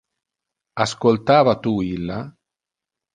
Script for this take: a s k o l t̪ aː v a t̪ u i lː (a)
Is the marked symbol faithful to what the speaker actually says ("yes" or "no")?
yes